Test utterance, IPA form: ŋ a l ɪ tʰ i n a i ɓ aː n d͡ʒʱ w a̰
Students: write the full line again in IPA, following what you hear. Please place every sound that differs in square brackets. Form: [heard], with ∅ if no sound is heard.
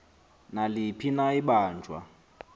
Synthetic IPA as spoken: [n] a l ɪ [pʰ] i n a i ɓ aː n d͡ʒʱ w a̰